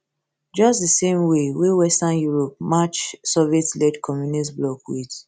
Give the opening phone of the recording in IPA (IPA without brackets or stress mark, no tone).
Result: d͡ʒ